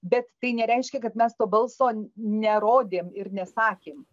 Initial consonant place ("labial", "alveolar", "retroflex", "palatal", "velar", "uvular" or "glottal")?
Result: labial